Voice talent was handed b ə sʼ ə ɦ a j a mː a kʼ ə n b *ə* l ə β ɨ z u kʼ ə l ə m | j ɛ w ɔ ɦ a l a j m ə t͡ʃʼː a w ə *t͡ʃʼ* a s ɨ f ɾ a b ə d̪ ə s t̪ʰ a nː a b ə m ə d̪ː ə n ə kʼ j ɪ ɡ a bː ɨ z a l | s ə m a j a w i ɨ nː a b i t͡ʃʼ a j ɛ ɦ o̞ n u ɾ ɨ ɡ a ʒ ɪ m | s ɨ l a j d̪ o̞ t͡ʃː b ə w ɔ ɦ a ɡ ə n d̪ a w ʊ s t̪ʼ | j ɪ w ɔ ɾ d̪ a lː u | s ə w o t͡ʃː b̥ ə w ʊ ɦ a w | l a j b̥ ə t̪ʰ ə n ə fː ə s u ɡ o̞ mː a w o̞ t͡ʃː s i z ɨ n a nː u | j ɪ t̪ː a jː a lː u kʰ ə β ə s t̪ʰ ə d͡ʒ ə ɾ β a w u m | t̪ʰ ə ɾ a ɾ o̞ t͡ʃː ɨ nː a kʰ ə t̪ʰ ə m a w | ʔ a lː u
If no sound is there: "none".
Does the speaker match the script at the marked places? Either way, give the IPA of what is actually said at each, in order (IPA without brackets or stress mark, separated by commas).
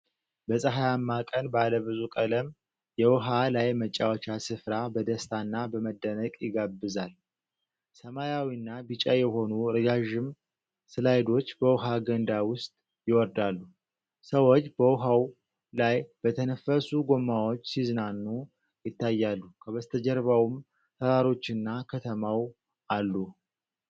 a, t͡ʃ